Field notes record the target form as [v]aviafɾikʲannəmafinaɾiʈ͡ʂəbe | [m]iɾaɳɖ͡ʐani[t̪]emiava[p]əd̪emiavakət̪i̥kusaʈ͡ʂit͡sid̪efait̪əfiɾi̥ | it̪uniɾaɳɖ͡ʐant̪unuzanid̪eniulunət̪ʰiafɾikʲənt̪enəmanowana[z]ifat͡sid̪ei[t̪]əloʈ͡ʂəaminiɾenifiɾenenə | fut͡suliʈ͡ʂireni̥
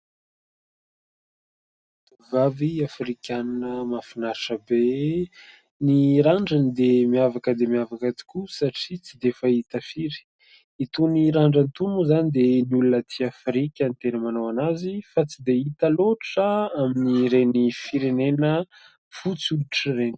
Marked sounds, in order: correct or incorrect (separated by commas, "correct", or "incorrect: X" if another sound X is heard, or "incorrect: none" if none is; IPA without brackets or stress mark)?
correct, incorrect: n, incorrect: d̪, incorrect: k, correct, correct